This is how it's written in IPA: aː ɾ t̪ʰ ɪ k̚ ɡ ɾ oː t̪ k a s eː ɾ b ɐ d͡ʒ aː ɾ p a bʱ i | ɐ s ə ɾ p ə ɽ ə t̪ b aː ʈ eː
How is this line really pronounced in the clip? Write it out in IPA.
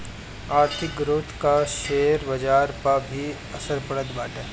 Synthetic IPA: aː ɾ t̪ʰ ɪ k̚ ɡ ɾ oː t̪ k a ʃ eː ɾ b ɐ d͡ʒ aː ɾ p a bʱ i | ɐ s ə ɾ p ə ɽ ə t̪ b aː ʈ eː